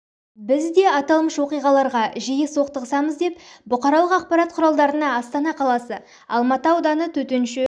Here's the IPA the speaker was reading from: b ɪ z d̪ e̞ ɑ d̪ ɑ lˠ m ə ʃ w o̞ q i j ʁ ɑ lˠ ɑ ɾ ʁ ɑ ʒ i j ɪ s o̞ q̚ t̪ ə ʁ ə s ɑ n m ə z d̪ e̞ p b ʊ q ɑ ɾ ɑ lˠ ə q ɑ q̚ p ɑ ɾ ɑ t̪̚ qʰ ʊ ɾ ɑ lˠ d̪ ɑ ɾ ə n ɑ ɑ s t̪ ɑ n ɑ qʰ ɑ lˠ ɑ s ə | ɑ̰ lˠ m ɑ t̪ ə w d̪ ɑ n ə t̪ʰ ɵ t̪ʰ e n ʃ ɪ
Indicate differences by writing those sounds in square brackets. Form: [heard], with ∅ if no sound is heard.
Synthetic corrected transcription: b ɪ z d̪ e̞ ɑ [t̪] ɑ lˠ m ə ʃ w o̞ q i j ʁ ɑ lˠ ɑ ɾ ʁ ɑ ʒ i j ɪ s o̞ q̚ t̪ ə ʁ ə s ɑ [∅] m ə z d̪ e̞ p b ʊ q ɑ ɾ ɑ lˠ ə q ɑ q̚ p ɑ ɾ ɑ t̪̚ qʰ ʊ ɾ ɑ lˠ d̪ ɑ ɾ ə n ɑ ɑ s t̪ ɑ n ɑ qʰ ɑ lˠ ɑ s ə | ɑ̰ lˠ m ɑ t̪ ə w d̪ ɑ n ə t̪ʰ ɵ [t̪] e n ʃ ɪ